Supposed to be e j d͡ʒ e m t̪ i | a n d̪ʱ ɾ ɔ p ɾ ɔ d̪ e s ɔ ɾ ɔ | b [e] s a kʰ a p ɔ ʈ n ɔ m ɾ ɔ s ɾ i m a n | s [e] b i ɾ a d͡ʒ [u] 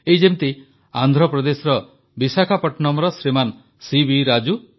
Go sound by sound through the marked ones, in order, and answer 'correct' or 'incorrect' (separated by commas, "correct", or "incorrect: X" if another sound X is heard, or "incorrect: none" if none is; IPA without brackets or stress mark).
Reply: incorrect: i, incorrect: i, correct